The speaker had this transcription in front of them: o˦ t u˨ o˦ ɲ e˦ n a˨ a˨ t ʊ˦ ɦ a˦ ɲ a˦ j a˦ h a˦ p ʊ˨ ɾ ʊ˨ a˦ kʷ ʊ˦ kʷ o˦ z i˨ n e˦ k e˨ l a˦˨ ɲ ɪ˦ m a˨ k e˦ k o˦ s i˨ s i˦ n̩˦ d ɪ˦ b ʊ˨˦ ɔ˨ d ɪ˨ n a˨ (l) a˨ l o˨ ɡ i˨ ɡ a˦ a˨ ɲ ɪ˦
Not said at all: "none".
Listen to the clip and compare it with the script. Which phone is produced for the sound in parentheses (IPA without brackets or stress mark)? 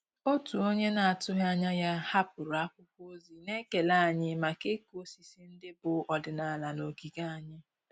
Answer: l